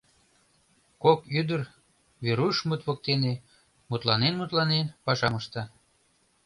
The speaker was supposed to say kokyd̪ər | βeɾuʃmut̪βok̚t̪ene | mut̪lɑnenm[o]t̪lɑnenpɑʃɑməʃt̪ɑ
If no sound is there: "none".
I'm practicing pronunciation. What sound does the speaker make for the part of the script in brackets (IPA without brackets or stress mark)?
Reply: u